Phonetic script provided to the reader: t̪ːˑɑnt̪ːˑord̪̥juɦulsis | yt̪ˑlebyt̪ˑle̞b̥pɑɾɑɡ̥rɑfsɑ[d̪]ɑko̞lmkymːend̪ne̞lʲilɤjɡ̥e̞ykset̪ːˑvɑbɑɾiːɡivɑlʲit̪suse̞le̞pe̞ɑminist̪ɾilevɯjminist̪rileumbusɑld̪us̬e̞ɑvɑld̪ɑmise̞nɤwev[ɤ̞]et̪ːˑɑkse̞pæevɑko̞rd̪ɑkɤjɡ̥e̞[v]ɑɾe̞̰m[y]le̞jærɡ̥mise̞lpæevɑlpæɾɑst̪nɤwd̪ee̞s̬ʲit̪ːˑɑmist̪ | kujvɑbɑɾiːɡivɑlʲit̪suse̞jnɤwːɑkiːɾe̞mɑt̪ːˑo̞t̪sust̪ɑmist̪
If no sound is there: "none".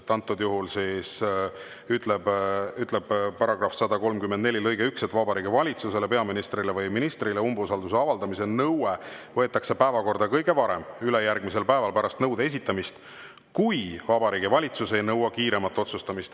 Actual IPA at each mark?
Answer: d̪, ɤ̞, v, y

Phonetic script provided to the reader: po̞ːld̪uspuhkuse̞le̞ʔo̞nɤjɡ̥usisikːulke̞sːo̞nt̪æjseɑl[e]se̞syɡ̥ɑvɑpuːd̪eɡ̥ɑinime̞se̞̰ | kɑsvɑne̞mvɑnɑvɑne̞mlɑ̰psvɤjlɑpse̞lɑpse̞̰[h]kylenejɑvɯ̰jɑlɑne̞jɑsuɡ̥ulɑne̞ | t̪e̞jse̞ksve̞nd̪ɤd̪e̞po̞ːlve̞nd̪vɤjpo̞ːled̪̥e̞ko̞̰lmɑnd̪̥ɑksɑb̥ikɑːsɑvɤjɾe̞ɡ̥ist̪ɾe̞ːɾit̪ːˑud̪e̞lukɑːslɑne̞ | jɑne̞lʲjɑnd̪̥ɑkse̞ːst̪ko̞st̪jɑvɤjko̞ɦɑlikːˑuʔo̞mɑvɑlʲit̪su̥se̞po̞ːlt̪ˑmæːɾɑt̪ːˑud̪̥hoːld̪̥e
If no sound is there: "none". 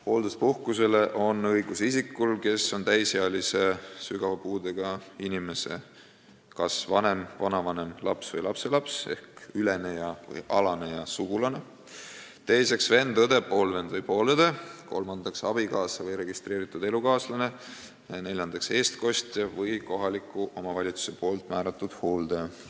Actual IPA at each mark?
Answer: i, h

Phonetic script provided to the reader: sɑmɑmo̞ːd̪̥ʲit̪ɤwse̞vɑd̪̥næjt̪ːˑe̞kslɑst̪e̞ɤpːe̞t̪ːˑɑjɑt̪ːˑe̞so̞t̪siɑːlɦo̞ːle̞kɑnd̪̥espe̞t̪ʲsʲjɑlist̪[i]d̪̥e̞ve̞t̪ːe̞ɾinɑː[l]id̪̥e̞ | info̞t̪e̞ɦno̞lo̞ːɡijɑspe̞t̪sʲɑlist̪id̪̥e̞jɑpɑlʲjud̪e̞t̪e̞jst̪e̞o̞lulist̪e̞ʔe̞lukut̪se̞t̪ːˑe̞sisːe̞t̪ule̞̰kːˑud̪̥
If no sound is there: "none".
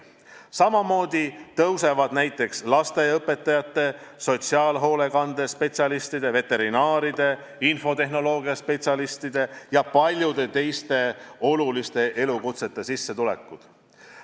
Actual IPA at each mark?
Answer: i, ɾ

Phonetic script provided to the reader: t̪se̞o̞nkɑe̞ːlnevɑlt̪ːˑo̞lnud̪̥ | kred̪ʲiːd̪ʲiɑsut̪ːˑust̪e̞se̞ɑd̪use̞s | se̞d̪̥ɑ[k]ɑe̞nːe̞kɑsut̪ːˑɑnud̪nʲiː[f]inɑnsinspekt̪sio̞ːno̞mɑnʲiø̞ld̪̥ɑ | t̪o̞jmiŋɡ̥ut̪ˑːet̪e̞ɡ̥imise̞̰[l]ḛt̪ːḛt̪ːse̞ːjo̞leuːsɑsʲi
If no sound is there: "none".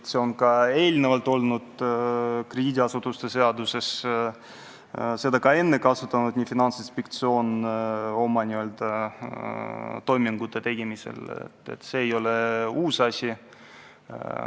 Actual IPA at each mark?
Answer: k, f, l

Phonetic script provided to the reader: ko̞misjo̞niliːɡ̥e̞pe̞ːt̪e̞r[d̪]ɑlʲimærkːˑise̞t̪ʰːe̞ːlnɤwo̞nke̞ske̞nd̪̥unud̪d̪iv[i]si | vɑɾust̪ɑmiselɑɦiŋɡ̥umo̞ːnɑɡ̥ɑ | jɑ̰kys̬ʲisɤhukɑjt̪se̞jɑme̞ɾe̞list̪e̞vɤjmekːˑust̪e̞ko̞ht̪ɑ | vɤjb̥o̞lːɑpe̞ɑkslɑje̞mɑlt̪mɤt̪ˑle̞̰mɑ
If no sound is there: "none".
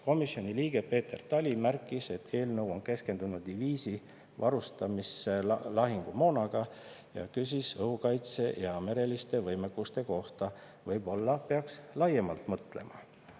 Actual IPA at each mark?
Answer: t̪, iː

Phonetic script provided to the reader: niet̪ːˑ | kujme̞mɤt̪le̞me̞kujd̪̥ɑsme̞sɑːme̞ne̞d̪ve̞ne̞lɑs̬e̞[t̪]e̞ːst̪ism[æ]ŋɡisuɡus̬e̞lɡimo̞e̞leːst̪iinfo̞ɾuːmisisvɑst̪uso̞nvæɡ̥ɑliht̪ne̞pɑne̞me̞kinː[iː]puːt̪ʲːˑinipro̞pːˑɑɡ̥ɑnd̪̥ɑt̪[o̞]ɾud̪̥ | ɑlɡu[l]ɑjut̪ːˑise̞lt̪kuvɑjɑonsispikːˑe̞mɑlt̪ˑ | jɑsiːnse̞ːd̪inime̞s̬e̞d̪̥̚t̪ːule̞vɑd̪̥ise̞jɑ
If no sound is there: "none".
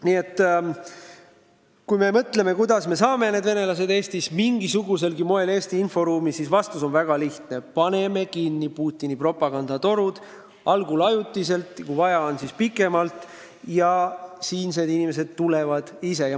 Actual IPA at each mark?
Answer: d̪, i, i, o̞, l

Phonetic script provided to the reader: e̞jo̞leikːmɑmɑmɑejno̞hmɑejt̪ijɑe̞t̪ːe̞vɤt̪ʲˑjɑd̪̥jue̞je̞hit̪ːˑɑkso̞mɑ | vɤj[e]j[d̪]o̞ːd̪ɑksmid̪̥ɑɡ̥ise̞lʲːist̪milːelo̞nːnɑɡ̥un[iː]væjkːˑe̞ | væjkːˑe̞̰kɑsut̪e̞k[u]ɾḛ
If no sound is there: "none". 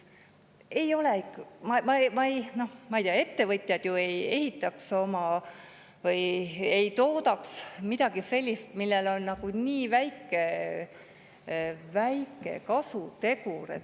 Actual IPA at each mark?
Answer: e, t̪, iː, u

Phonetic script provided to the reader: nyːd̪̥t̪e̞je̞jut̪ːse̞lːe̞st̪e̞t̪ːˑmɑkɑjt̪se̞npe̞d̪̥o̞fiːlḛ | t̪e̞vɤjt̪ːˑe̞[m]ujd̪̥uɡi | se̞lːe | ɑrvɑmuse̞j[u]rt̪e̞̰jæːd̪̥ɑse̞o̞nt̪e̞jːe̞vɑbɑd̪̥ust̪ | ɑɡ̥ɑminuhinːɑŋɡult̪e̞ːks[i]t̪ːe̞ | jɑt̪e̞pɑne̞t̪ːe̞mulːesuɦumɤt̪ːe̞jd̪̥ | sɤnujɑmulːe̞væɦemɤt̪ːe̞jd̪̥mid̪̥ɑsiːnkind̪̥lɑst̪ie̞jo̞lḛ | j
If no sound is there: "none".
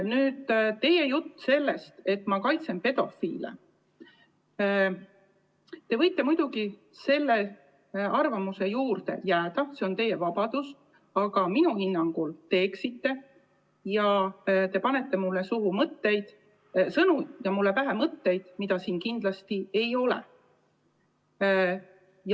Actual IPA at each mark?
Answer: m, uː, i

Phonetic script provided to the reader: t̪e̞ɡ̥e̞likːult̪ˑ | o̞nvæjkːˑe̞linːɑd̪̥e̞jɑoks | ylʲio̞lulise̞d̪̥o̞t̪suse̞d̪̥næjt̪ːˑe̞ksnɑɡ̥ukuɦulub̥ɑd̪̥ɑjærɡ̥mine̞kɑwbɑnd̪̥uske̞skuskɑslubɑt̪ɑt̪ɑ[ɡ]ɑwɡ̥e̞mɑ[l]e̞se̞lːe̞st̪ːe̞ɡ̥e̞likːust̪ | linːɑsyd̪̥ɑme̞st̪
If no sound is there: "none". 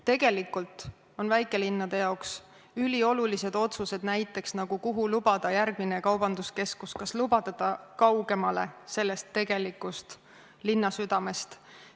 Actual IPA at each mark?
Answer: k, l

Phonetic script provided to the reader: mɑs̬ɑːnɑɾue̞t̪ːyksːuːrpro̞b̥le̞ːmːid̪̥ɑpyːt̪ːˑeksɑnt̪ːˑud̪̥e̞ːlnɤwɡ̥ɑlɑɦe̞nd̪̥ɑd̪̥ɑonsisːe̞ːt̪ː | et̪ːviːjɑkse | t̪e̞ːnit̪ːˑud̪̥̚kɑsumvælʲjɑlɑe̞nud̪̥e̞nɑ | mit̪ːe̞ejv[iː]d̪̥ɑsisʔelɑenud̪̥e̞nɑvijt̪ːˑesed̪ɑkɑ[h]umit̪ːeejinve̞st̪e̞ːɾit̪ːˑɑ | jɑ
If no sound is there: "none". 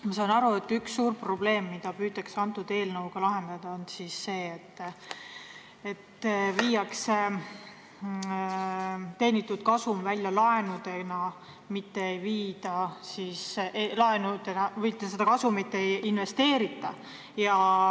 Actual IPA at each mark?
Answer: iː, s

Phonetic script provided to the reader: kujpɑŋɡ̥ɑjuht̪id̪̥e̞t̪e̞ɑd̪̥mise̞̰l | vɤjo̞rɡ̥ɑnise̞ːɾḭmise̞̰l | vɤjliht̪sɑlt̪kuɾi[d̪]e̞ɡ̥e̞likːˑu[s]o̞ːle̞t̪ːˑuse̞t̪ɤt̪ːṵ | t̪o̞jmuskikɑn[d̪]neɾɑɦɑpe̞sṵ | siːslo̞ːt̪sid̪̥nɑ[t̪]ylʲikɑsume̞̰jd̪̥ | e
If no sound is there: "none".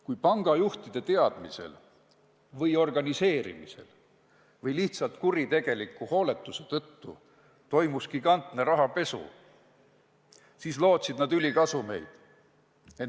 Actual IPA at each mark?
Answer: t̪, h, t̪, d̪

